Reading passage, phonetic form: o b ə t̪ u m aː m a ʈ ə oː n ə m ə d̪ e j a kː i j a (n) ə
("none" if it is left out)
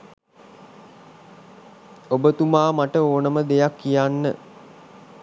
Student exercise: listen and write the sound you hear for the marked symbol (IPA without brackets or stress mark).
nː